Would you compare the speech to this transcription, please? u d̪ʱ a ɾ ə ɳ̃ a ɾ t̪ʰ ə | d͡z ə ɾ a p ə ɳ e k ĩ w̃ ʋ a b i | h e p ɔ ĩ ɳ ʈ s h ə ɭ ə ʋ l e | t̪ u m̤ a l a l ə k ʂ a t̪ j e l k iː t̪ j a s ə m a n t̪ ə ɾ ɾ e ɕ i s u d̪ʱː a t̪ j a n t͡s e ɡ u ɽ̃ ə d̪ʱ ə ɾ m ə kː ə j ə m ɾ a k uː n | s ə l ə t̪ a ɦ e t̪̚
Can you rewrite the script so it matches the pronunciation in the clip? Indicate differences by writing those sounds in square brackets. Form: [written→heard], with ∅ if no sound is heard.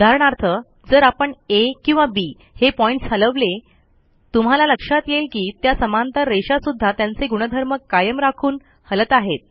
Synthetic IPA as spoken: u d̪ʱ a ɾ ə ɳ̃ a ɾ t̪ʰ ə | d͡z ə ɾ a p ə ɳ e k ĩ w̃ ʋ a b i | h e p ɔ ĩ ɳ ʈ s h ə [ɭ→l] ə ʋ l e | t̪ u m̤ a l a l ə k ʂ a t̪ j e l k iː t̪ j a s ə m a n t̪ ə ɾ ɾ e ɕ [i→a] s u d̪ʱː a t̪ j a n t͡s e ɡ u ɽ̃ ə d̪ʱ ə ɾ m ə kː [ə→a] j ə m ɾ a [k→kʰ] uː n | [s→h] ə l ə t̪ a ɦ e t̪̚